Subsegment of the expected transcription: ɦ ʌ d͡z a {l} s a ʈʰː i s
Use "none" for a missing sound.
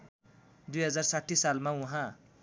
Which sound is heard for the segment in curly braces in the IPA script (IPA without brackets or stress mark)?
r